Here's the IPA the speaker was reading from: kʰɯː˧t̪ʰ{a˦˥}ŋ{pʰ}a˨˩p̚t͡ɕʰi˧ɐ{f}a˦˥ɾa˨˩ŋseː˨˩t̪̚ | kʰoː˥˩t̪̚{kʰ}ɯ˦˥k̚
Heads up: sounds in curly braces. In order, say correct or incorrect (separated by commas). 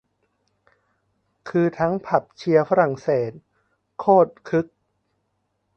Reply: correct, correct, correct, correct